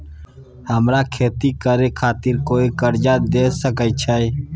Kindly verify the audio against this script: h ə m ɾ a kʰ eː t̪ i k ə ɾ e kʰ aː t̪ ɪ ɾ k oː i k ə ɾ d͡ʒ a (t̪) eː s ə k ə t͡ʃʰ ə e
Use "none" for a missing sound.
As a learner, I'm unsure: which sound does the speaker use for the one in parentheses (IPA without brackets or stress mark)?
d̪